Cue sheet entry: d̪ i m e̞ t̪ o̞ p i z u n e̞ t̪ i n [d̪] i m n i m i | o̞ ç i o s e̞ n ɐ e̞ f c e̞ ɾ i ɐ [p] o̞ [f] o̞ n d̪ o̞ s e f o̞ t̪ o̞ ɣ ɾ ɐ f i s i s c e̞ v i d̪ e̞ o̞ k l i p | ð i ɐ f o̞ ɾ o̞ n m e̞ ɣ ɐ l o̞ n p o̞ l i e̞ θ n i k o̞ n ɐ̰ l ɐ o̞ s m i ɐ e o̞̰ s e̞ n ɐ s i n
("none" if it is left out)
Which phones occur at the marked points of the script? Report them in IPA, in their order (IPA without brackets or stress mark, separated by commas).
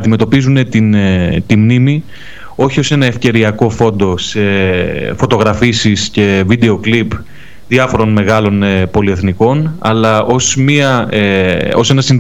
t̪, k, f